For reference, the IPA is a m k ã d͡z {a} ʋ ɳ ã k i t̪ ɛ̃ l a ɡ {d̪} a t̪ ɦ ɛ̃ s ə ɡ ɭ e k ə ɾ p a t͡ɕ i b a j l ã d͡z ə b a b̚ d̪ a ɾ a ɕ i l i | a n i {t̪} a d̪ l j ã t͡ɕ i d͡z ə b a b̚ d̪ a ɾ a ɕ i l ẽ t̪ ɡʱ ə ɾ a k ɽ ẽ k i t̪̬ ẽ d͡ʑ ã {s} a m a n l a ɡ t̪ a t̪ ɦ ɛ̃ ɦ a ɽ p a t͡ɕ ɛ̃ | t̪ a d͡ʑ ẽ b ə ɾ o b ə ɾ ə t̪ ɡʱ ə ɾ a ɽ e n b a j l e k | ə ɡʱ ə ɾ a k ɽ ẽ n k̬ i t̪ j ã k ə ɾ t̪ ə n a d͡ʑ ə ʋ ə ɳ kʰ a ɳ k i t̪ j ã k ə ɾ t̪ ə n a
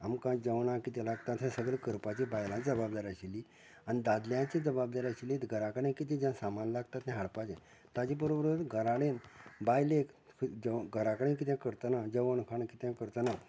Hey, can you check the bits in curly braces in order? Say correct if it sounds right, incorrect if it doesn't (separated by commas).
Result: incorrect, incorrect, incorrect, correct